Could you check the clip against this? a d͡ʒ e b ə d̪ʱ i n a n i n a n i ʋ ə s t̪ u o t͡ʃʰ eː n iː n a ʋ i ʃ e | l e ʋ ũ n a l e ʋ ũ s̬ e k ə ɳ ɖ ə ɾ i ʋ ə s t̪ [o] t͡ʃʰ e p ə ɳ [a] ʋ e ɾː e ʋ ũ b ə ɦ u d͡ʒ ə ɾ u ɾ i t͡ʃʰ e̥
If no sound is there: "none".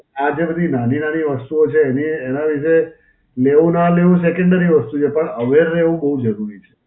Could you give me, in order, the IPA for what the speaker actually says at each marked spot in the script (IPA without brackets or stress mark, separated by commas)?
u, ə